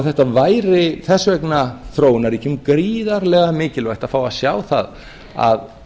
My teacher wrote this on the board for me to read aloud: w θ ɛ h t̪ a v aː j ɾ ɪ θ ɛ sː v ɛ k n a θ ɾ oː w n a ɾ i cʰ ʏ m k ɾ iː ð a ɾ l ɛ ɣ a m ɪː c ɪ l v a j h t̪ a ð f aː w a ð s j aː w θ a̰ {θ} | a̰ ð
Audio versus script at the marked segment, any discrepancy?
yes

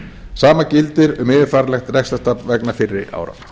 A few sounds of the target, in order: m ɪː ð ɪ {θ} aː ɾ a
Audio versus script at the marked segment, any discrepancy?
yes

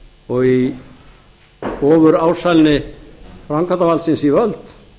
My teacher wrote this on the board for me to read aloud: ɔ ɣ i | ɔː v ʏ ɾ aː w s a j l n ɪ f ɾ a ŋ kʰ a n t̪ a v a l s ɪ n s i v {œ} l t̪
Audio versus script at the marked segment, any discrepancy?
no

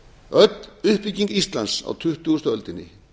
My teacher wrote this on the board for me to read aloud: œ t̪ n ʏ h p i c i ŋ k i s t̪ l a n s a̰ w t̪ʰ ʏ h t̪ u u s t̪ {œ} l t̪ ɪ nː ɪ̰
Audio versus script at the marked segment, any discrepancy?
no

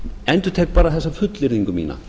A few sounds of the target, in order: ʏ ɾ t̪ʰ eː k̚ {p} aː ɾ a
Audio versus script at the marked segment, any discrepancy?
no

